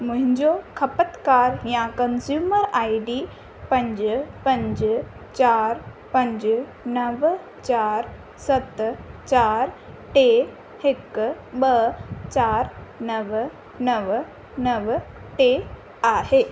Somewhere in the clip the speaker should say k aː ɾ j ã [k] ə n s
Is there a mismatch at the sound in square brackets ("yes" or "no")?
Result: no